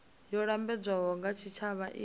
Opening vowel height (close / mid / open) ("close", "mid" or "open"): mid